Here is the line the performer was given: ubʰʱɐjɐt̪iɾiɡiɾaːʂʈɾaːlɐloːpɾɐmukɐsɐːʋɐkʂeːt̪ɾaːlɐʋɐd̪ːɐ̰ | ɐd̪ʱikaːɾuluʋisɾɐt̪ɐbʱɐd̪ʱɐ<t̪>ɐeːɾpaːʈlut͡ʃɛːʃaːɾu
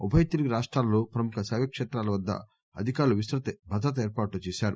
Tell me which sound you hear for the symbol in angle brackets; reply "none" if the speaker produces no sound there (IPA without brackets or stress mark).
t̪